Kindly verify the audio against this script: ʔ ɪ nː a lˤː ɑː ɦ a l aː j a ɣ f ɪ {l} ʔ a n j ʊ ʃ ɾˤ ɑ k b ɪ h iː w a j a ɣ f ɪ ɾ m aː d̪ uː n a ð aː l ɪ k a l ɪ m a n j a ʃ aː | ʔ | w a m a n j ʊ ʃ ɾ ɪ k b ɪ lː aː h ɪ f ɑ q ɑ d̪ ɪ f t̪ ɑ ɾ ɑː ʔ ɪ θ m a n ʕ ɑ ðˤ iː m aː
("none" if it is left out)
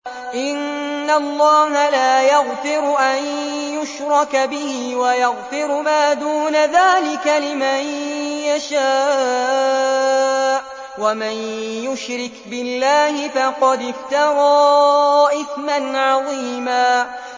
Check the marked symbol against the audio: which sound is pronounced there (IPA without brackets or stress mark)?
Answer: ɾ